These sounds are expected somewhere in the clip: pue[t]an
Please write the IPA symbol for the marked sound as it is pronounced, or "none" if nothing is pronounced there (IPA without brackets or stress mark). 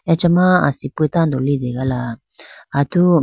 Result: t